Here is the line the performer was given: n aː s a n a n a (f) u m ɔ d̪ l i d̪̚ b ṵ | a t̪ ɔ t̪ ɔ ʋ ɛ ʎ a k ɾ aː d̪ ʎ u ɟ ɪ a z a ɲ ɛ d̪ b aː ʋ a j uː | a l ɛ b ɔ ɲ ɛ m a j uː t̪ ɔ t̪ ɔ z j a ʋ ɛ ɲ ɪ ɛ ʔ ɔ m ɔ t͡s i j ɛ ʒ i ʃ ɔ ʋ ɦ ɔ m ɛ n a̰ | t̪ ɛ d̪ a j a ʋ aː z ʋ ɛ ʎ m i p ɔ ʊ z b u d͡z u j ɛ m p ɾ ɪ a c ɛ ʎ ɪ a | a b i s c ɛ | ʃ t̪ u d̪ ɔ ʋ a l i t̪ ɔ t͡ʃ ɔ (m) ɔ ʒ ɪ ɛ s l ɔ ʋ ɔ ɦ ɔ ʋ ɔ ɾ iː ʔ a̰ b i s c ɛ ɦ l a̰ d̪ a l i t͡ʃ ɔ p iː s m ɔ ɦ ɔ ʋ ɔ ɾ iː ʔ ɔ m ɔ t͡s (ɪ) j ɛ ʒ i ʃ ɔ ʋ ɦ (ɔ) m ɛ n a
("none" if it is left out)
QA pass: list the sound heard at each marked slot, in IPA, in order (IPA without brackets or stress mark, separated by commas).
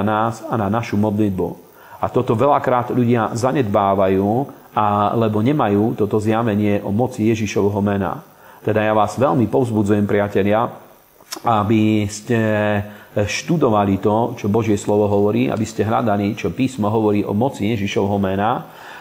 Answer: ʃ, b, i, ɔ